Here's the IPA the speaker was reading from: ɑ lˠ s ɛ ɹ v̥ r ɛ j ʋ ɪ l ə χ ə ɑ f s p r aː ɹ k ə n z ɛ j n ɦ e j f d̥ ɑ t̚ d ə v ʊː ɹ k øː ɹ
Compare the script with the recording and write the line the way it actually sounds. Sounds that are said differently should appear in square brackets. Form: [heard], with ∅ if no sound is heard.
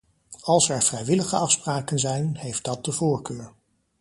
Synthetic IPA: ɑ lˠ s ɛ ɹ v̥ r ɛ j ʋ ɪ l ə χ ə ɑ f s p r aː [∅] k ə n z ɛ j n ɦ e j f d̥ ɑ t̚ d ə v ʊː ɹ k øː ɹ